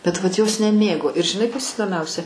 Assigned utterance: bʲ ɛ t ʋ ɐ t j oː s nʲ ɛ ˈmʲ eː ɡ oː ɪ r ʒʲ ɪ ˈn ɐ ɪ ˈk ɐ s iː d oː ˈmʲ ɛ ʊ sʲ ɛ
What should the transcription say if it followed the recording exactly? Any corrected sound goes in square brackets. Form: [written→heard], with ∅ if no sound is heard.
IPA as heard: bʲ ɛ t ʋ ɐ t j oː s nʲ ɛ ˈmʲ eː ɡ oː ɪ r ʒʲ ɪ ˈn ɐ ɪ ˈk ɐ s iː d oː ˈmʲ ɛ ʊ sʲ ɛ